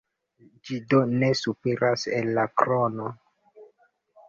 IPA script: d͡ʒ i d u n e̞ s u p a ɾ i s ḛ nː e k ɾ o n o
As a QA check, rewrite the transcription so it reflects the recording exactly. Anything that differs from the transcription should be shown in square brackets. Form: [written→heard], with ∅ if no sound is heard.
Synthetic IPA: d͡ʒ i d [u→o] n e̞ s u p [a→e] ɾ [i→a] s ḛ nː [e→a] k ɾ o n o